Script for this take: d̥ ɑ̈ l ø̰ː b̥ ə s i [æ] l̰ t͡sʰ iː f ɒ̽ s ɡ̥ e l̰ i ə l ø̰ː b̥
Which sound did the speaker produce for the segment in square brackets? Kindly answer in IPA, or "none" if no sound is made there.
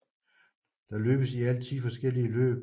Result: æ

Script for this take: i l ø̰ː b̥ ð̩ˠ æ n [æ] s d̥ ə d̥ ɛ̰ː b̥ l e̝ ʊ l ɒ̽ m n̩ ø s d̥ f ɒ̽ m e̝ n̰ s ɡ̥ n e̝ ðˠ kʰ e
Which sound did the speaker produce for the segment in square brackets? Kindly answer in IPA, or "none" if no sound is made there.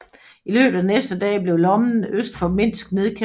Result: e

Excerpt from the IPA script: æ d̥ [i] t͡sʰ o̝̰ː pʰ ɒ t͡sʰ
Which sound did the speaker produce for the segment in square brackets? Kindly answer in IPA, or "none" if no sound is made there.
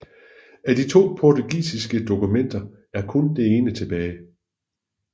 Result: i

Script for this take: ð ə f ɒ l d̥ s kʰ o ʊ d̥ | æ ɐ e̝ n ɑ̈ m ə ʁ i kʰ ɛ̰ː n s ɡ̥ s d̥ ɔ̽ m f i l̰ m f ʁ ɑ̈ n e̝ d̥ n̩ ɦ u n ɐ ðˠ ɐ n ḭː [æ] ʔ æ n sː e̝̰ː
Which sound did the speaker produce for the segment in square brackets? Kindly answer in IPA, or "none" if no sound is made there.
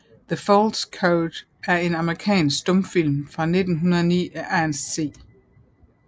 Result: æ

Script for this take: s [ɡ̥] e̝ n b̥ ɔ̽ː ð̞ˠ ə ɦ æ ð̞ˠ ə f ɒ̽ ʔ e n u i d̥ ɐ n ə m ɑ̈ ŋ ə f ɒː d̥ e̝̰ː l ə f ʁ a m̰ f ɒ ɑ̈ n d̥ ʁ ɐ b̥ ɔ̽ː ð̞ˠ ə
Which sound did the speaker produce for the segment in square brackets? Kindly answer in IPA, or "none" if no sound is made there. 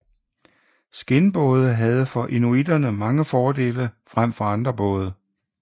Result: ɡ̥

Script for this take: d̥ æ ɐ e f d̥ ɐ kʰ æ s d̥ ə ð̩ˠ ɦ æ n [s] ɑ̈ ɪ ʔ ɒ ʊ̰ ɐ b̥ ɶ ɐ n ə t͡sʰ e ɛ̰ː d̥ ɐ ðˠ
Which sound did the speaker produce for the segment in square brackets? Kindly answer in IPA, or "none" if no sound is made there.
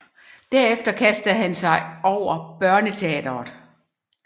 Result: s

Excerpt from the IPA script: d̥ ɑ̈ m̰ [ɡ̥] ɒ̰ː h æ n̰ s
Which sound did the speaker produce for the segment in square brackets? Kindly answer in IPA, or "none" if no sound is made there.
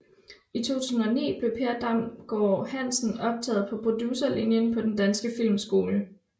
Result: ɡ̥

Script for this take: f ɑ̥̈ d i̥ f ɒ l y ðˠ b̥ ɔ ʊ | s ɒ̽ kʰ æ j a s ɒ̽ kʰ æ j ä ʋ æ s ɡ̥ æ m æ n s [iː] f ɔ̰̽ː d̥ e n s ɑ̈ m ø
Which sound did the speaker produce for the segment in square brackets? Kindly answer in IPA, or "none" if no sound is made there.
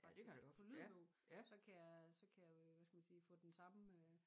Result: iː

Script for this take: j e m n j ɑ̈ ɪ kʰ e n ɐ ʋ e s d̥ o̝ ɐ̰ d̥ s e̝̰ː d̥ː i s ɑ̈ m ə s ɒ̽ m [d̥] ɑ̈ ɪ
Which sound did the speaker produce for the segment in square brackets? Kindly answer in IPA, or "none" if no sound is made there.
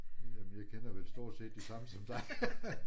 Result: d̥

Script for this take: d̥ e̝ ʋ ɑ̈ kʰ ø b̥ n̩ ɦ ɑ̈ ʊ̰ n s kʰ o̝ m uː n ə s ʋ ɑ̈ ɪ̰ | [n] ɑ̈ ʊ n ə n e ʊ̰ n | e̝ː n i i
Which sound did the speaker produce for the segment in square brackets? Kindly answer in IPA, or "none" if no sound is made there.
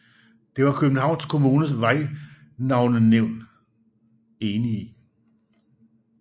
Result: n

